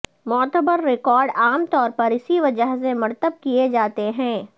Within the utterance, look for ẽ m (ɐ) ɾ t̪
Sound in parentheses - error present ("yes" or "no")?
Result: no